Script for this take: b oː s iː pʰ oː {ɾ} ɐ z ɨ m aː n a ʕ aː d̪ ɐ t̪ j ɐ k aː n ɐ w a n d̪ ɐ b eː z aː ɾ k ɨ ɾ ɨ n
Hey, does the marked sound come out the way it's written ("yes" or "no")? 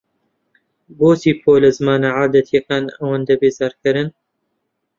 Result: no